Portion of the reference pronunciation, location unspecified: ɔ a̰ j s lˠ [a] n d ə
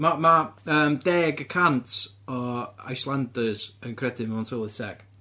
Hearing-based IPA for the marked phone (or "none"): a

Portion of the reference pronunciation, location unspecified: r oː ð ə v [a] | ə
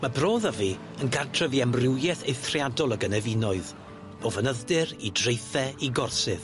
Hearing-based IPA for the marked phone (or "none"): i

